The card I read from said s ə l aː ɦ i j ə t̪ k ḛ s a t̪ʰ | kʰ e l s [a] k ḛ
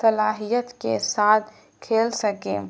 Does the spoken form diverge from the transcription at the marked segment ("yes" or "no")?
yes